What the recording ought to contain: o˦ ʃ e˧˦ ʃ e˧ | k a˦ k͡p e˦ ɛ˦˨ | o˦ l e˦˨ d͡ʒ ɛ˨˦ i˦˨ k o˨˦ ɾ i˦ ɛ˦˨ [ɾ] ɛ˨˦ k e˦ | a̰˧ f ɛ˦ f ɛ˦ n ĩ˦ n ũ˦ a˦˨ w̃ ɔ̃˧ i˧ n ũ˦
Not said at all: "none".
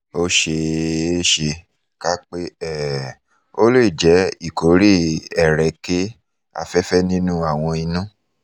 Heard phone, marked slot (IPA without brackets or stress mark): ɾ